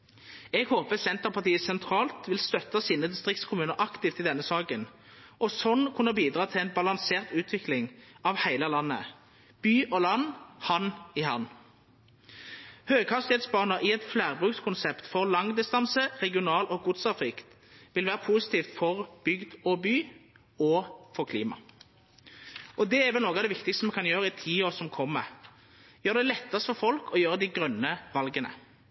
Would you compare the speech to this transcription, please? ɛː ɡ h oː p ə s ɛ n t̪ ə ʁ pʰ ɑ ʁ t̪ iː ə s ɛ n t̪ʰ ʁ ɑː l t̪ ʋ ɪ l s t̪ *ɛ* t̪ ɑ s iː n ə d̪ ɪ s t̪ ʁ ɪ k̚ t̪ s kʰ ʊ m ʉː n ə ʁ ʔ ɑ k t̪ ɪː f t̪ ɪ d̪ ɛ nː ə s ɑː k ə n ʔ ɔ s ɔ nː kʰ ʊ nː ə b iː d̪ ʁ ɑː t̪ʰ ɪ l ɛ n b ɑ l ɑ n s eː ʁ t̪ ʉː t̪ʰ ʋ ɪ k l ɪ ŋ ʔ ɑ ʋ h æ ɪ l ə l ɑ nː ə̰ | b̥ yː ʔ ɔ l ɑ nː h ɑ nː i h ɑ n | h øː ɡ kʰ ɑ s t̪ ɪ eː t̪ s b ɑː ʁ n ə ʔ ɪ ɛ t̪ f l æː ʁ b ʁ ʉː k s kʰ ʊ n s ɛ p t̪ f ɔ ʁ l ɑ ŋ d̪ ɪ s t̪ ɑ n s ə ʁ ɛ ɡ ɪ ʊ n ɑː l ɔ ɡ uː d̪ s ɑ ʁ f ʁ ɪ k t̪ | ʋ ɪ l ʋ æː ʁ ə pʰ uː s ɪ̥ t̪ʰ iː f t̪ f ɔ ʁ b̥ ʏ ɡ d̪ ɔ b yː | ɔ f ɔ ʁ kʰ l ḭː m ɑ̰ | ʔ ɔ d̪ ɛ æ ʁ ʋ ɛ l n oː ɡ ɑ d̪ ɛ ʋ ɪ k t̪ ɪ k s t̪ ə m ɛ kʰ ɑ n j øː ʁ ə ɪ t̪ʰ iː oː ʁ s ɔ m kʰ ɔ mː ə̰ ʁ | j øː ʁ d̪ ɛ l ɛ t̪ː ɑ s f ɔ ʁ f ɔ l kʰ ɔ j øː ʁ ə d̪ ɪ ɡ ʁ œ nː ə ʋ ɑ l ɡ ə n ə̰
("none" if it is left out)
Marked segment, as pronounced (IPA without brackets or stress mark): œ